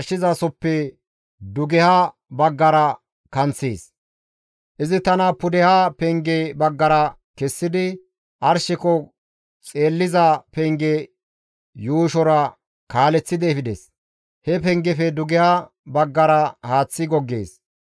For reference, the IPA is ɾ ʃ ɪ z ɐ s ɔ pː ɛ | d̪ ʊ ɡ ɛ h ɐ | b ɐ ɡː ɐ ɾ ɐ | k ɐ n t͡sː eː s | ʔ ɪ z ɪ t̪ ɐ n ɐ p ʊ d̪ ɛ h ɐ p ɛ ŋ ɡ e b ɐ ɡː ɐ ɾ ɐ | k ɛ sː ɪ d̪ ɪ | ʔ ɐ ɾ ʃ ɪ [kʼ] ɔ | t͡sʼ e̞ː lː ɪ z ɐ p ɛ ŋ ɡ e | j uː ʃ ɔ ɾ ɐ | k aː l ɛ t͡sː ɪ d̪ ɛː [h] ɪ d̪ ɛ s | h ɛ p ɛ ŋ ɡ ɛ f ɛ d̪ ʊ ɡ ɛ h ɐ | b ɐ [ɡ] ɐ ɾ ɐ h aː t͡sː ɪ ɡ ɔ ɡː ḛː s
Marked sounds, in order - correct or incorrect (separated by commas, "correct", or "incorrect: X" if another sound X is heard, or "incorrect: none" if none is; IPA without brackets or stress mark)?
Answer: incorrect: k, incorrect: f, incorrect: ɡː